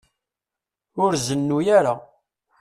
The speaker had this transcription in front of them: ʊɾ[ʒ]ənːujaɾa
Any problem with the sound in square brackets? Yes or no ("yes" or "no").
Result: yes